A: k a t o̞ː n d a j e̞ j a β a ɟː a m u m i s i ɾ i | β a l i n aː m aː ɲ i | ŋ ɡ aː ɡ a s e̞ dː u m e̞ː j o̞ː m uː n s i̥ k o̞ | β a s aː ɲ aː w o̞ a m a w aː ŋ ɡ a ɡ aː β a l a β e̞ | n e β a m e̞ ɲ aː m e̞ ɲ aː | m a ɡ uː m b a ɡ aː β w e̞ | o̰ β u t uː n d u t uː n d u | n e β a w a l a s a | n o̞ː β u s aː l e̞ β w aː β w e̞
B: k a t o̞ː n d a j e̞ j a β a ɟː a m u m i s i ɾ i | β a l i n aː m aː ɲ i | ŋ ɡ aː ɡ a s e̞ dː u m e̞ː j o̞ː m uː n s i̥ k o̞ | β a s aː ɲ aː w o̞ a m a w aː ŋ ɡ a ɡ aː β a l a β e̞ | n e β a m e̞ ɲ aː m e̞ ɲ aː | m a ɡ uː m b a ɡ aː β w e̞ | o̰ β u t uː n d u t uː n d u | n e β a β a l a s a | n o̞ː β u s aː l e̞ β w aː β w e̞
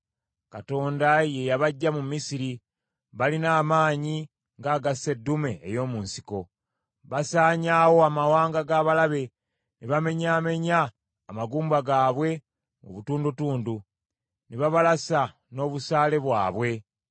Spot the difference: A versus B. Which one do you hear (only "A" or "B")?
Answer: B